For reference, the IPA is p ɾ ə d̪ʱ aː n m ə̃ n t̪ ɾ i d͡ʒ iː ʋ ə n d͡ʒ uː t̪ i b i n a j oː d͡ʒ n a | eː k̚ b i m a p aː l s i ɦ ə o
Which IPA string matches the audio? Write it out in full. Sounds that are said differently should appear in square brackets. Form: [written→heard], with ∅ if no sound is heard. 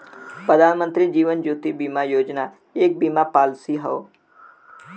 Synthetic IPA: p ɾ ə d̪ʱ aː n m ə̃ n t̪ ɾ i d͡ʒ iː ʋ ə n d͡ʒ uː t̪ i b i [n→m] a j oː d͡ʒ n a | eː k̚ b i m a p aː l s i ɦ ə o